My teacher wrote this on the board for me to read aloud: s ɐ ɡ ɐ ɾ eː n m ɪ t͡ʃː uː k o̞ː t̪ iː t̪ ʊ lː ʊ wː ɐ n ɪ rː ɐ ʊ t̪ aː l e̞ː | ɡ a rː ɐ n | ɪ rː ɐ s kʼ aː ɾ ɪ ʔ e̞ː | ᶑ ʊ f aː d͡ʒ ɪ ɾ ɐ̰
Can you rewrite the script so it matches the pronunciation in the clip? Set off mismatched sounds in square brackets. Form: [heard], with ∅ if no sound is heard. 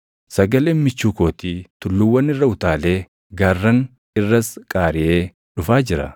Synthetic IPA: s ɐ ɡ ɐ [l] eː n m ɪ t͡ʃː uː k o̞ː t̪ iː t̪ ʊ lː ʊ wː ɐ n ɪ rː ɐ ʊ t̪ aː l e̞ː | ɡ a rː ɐ n | ɪ rː ɐ s kʼ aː ɾ ɪ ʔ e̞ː | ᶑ ʊ f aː d͡ʒ ɪ ɾ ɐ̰